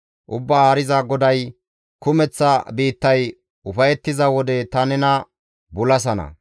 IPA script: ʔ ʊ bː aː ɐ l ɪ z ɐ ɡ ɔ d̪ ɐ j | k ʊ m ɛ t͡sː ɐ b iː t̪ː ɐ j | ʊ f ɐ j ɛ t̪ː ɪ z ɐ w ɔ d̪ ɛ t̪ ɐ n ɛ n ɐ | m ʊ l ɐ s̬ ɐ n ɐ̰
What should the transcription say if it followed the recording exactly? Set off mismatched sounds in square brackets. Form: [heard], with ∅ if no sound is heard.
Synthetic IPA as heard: ʔ ʊ bː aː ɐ [ɾ] ɪ z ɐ ɡ ɔ d̪ ɐ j | k ʊ m ɛ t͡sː ɐ b iː t̪ː ɐ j | ʊ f ɐ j ɛ t̪ː ɪ z ɐ w ɔ d̪ ɛ t̪ ɐ n ɛ n ɐ | [b] ʊ l ɐ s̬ ɐ n ɐ̰